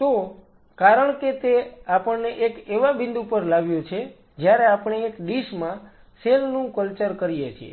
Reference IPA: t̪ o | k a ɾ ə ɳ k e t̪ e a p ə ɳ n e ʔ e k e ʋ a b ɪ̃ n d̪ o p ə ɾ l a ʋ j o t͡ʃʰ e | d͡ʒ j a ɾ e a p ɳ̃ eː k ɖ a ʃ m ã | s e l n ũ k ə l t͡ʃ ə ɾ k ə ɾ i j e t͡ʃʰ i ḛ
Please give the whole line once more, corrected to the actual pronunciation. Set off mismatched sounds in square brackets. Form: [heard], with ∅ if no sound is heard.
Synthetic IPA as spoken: t̪ o | k a ɾ ə ɳ k e t̪ e a p ə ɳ n e ʔ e k e ʋ a b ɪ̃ n d̪ [u] p ə ɾ l a ʋ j o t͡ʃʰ e | d͡ʒ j a ɾ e a p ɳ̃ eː k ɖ [i] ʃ m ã | s e l n ũ k ə l t͡ʃ ə ɾ k ə ɾ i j e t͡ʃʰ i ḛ